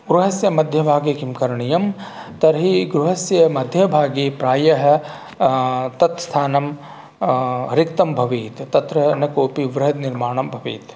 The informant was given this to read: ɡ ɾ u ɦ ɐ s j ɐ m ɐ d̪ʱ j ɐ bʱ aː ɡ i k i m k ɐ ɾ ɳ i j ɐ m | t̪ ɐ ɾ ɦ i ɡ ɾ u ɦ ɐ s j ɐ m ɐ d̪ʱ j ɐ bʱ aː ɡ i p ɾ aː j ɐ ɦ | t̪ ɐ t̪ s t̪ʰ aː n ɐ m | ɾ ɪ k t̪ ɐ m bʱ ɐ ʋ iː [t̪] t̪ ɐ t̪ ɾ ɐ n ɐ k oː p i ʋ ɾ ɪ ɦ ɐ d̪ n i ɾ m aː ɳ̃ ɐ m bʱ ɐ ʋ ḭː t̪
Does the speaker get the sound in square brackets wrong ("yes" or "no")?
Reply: no